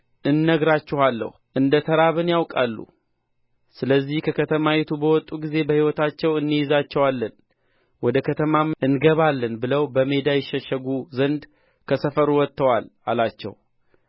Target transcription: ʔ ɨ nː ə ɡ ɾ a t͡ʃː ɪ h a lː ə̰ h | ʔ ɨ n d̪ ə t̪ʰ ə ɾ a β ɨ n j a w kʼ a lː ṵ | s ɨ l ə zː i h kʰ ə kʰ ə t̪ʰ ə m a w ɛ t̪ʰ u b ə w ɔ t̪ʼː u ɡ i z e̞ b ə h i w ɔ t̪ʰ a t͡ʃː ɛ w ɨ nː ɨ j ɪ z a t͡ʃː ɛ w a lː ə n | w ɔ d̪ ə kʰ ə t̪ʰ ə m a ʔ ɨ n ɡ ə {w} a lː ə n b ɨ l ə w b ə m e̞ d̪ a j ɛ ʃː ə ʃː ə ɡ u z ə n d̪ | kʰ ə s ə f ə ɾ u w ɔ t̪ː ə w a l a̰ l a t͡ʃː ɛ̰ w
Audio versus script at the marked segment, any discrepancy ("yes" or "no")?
yes